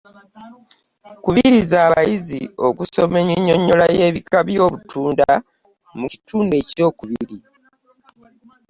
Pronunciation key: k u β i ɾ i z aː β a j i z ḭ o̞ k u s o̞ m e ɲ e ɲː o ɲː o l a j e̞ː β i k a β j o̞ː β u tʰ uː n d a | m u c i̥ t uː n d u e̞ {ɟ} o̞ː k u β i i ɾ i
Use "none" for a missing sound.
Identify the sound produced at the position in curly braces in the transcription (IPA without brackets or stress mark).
c